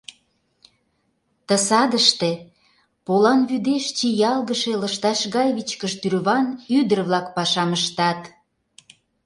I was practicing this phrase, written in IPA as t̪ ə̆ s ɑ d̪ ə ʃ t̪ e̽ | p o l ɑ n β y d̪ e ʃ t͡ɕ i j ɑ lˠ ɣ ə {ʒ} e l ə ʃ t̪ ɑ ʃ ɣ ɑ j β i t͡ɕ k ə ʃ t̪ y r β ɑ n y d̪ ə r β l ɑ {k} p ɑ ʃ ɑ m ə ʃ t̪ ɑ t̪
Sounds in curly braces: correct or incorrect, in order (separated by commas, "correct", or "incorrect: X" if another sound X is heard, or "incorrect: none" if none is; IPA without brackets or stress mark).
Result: incorrect: ʃ, correct